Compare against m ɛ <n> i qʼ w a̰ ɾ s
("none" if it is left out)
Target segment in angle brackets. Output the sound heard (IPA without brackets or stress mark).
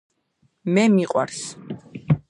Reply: m